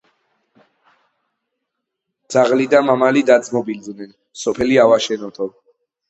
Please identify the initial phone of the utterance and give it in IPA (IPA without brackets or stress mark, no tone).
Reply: d̪